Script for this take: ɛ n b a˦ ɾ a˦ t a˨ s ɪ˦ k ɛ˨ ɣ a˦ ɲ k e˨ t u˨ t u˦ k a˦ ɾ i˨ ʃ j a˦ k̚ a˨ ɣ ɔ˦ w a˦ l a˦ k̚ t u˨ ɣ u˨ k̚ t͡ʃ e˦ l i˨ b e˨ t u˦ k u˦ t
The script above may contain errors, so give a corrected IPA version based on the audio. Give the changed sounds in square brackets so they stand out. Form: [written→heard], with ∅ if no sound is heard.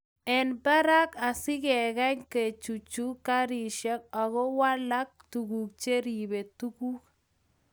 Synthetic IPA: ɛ n b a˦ ɾ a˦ [t→k] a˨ s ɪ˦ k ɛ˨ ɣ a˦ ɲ k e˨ [t→t͡ʃ] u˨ [t→t͡ʃ] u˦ k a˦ ɾ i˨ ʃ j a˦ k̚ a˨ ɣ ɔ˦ w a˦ l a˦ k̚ t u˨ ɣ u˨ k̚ t͡ʃ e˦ [l→ɾ] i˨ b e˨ t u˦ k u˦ [t→k]